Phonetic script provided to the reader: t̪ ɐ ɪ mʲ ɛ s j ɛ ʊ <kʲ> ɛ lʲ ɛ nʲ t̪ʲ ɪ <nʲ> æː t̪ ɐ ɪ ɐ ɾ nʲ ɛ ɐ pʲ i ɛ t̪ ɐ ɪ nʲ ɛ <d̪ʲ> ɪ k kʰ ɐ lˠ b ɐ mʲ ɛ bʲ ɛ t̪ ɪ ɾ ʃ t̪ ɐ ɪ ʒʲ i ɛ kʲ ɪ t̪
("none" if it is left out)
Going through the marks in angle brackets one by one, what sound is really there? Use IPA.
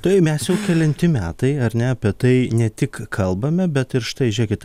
kʲ, mʲ, t̪ʲ

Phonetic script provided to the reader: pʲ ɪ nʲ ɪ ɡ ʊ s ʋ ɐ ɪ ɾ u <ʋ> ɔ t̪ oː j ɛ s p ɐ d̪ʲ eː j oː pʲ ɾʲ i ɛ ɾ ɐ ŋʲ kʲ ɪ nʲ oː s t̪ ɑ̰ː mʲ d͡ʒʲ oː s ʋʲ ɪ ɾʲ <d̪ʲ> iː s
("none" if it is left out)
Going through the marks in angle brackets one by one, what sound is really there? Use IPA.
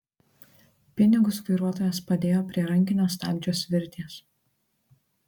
none, t̪ʲ

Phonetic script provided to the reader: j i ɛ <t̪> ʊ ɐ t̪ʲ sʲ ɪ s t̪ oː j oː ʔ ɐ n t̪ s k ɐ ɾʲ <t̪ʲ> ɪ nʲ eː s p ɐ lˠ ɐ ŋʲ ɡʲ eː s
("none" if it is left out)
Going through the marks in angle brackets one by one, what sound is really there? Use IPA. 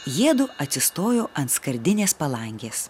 d̪, d̪ʲ

